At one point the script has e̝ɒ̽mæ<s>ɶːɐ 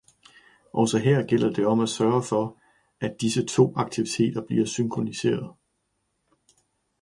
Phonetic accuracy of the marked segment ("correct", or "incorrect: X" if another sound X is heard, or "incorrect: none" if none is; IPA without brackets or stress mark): correct